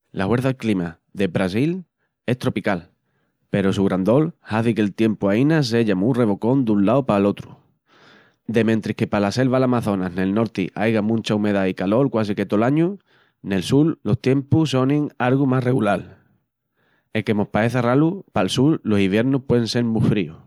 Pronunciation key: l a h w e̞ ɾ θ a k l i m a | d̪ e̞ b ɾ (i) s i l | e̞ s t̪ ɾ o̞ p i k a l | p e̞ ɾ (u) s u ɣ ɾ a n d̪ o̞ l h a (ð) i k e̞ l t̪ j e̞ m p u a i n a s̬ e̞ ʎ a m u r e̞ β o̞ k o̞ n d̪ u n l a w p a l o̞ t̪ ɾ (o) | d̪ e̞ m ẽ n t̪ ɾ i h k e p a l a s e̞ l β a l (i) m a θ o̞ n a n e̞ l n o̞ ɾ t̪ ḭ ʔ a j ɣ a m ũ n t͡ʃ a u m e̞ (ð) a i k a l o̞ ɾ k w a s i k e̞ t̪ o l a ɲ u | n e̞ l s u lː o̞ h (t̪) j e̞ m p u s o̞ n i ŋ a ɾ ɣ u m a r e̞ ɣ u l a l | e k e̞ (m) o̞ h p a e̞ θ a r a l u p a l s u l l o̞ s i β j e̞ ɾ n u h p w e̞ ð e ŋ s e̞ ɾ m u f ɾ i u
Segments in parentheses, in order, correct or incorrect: incorrect, incorrect, incorrect, incorrect, incorrect, correct, correct, correct

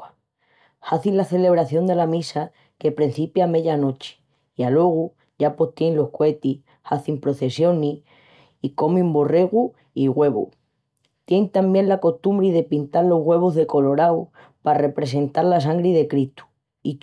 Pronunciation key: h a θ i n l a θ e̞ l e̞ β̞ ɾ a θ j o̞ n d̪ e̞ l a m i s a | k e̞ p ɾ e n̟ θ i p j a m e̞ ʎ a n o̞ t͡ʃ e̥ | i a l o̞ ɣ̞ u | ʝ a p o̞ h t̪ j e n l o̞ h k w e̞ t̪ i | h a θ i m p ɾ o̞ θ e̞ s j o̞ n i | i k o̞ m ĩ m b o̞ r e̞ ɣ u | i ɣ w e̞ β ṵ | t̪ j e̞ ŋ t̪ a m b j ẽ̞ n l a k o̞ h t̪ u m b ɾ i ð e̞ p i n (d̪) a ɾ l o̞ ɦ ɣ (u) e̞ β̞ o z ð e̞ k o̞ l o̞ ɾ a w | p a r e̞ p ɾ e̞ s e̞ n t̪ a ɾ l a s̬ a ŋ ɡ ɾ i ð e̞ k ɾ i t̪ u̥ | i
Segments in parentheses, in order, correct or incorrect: incorrect, incorrect

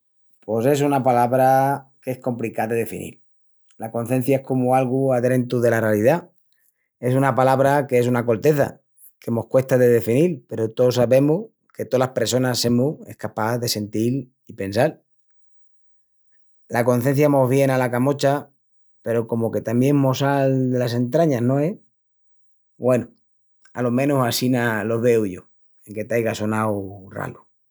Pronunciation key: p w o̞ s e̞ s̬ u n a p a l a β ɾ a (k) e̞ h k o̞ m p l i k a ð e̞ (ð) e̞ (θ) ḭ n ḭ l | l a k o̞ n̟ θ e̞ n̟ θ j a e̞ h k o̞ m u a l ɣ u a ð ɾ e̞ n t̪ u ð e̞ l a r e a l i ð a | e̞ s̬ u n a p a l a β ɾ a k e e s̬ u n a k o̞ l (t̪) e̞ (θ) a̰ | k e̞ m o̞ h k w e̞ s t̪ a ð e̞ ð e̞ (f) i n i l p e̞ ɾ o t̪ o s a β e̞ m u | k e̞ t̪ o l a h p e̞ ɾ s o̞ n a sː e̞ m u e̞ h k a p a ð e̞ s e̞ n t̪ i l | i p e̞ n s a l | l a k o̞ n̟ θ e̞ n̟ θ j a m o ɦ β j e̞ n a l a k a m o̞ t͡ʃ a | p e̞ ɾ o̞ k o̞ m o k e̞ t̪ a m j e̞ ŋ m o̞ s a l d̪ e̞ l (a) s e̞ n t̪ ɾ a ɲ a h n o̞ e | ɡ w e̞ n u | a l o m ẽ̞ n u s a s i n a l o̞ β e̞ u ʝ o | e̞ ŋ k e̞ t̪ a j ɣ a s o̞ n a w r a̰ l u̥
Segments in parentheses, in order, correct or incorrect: correct, correct, incorrect, correct, correct, correct, correct

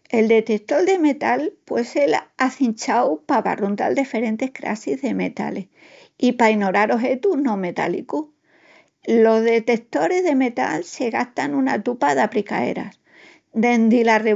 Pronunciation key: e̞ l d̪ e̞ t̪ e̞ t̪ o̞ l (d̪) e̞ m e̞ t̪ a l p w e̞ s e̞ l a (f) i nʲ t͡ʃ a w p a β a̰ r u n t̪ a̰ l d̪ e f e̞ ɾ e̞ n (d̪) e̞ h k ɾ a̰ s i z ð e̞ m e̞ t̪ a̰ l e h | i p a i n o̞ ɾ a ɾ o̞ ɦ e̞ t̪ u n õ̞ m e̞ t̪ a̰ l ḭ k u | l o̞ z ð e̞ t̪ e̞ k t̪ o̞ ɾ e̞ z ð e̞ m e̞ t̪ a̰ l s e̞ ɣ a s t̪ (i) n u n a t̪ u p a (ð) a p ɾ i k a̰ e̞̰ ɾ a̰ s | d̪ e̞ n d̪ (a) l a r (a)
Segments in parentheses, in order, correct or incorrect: correct, incorrect, incorrect, incorrect, correct, incorrect, incorrect

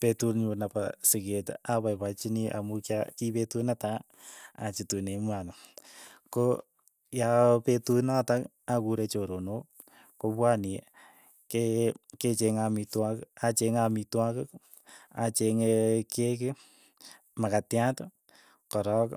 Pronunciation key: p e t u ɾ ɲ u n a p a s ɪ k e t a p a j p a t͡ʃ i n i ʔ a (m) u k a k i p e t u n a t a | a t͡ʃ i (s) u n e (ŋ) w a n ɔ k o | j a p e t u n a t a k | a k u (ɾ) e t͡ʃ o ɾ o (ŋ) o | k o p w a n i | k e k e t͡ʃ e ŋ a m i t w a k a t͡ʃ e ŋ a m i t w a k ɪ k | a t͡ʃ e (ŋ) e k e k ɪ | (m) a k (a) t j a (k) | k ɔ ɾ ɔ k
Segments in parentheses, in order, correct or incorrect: correct, incorrect, incorrect, correct, incorrect, correct, correct, correct, incorrect

